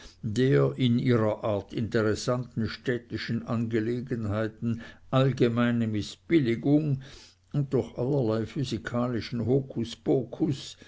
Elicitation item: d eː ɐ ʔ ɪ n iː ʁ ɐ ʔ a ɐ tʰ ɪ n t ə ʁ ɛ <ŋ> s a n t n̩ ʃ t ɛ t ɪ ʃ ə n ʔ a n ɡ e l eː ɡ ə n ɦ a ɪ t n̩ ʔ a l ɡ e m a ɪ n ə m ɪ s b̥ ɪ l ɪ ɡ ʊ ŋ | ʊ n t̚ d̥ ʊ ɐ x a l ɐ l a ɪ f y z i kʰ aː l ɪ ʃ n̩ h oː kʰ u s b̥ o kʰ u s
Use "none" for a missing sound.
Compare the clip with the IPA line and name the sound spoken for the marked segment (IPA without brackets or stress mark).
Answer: none